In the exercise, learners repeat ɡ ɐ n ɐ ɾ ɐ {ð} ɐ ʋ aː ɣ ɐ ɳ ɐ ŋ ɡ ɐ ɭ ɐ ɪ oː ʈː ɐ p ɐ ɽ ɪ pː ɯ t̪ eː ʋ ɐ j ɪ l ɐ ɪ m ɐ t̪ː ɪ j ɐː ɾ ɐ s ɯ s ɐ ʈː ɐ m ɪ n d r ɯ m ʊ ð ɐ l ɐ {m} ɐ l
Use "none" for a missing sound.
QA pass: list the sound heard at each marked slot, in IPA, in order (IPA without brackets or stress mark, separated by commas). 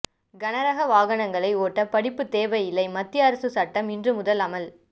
ɣ, m